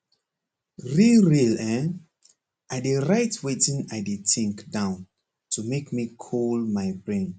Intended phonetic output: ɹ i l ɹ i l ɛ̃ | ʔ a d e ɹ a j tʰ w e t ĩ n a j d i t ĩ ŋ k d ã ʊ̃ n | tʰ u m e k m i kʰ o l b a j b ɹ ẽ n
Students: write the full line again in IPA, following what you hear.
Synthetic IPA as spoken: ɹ i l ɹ i l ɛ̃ | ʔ a d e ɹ a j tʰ w e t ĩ n a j d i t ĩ ŋ k d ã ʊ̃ n | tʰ u m e k m i kʰ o l m a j b ɹ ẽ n